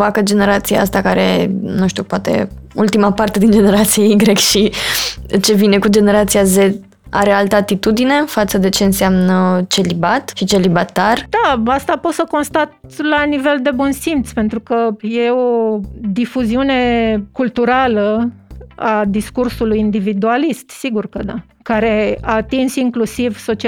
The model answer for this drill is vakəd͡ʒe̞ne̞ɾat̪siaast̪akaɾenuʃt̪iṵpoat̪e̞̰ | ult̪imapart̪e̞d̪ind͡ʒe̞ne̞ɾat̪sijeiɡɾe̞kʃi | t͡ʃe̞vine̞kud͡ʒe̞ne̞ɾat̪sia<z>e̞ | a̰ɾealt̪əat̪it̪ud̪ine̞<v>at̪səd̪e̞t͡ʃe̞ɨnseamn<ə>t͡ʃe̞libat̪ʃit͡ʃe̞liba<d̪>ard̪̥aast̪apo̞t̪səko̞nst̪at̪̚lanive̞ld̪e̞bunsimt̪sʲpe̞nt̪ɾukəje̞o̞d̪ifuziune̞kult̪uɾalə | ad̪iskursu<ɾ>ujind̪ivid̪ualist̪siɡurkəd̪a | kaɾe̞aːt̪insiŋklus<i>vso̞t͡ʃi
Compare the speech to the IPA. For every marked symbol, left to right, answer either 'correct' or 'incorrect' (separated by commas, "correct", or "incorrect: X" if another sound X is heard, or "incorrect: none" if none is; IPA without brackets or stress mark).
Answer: correct, incorrect: f, correct, incorrect: t̪, incorrect: l, correct